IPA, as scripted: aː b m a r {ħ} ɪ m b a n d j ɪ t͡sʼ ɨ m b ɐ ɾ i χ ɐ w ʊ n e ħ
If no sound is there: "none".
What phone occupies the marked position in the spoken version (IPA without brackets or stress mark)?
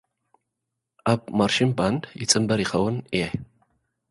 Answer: ʃ